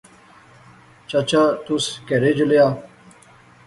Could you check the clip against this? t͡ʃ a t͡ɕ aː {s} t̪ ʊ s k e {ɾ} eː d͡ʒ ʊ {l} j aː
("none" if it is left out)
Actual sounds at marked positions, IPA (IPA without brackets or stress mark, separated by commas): none, ɾ, l